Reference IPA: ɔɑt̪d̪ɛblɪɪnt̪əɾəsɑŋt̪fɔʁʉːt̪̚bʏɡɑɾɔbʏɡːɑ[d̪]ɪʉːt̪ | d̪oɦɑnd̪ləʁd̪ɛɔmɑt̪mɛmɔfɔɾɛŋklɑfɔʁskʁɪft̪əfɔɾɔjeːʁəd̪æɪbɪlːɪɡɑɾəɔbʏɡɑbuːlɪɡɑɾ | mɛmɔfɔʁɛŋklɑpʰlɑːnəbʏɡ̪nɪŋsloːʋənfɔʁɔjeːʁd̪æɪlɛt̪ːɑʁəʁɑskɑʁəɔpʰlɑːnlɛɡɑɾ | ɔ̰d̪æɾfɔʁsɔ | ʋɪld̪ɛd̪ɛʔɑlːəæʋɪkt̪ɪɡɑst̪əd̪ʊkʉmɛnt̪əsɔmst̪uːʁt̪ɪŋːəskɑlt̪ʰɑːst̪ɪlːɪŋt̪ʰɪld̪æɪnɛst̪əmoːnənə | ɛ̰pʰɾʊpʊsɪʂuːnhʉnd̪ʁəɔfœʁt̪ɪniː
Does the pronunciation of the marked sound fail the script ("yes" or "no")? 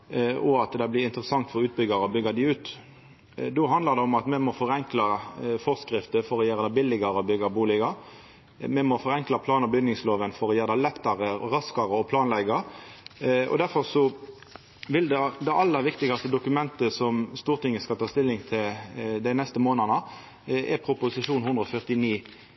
no